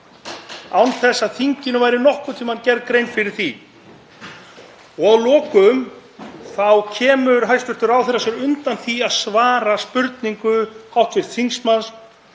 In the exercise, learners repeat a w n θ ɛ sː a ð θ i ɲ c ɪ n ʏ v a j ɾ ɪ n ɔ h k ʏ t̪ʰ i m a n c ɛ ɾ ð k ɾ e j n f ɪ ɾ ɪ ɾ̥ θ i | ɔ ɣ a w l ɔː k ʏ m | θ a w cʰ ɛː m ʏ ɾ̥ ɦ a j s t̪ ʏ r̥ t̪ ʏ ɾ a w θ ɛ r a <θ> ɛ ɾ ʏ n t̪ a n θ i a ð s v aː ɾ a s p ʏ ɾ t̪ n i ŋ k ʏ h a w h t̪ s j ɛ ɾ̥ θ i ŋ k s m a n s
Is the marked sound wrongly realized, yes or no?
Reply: yes